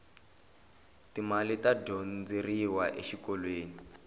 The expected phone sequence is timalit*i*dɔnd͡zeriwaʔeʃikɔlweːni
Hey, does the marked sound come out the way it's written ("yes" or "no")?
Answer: no